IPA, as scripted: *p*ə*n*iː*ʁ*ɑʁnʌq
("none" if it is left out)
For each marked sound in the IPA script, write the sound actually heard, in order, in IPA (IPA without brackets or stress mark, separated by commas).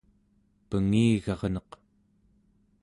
p, ŋ, ɣ